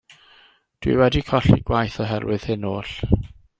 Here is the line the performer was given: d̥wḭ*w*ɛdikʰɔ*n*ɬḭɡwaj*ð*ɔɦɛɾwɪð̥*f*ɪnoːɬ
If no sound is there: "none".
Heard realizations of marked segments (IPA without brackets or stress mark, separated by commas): w, none, θ, h